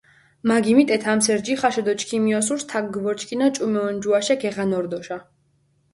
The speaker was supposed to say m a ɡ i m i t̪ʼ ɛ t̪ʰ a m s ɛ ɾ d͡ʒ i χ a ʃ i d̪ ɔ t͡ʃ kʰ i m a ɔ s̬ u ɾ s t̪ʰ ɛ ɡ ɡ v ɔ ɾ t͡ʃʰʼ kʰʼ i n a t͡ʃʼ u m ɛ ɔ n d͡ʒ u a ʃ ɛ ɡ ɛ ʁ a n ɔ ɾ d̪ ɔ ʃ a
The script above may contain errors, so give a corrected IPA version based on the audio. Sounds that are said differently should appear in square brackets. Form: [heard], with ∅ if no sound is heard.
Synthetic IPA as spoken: m a ɡ i m i t̪ʼ ɛ t̪ʰ a m s ɛ ɾ d͡ʒ i χ a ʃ [ɛ] d̪ ɔ t͡ʃ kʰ i m [i] ɔ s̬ u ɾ s t̪ʰ [a] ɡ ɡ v ɔ ɾ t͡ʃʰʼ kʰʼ i n a t͡ʃʼ u m ɛ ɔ n d͡ʒ u a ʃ ɛ ɡ ɛ ʁ a n ɔ ɾ d̪ ɔ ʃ a